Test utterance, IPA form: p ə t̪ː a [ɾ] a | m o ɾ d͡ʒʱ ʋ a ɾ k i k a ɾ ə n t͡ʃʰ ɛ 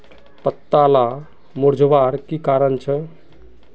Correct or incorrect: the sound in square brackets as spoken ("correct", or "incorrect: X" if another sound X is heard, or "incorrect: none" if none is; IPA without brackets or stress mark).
incorrect: l